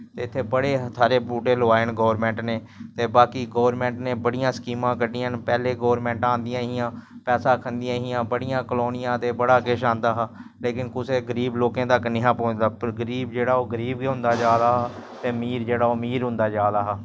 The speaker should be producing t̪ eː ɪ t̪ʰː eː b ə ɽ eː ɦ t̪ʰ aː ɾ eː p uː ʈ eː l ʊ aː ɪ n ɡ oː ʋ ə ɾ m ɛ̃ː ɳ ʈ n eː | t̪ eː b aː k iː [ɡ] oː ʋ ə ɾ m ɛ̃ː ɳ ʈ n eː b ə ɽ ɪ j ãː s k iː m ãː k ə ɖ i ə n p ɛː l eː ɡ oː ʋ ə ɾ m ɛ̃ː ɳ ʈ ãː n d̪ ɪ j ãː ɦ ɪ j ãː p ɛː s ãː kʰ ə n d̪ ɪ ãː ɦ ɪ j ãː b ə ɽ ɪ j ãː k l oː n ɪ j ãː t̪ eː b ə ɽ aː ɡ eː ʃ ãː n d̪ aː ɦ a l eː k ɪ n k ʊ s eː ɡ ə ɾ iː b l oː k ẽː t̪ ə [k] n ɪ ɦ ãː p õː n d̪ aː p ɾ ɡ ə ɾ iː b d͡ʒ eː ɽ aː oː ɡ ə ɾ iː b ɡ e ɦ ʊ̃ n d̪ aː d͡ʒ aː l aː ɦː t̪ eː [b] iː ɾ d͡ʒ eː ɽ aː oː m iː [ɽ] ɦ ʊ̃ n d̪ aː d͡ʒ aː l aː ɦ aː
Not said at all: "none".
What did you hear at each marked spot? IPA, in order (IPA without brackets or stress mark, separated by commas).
ɡ, k, m, ɾ